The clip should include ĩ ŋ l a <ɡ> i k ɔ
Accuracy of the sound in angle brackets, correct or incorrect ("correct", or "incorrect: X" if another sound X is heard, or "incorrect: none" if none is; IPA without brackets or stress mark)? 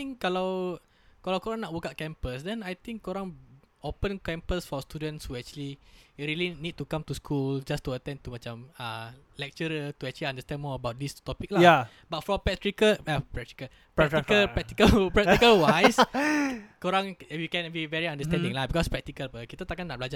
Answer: incorrect: b